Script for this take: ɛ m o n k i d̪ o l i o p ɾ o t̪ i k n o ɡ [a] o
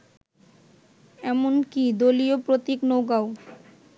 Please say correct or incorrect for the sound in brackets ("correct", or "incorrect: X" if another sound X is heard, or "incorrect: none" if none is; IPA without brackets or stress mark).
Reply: correct